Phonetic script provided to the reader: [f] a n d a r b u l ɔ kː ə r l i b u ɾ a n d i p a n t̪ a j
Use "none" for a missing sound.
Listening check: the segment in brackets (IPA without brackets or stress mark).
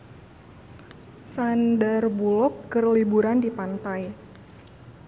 s